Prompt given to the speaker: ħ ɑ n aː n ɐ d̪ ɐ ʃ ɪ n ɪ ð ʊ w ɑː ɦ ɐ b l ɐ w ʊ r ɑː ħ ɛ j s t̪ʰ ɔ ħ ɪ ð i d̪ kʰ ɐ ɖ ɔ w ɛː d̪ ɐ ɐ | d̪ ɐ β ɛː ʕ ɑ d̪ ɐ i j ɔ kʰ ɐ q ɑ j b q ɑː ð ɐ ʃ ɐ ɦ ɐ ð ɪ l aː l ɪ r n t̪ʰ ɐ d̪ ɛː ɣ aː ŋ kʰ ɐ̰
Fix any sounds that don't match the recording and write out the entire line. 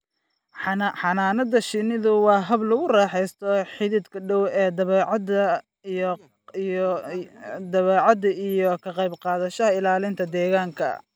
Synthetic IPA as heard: ħ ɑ n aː n ɐ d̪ ɐ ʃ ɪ n ɪ ð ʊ w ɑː ɦ ɐ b l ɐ ɣ ʊ r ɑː ħ ɛ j s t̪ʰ ɔ ħ ɪ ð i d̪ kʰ ɐ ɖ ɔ w ɛː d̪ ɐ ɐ | d̪ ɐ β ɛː ʕ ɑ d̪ ɐ i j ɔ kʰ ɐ q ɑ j b q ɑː ð ɐ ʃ ɐ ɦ ɐ ɪ l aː l ɪ n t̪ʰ ɐ d̪ ɛː ɣ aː ŋ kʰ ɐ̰